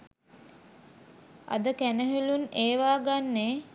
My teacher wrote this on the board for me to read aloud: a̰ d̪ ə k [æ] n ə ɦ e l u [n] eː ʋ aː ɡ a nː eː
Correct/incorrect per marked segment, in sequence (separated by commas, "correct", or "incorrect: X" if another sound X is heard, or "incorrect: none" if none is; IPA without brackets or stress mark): correct, correct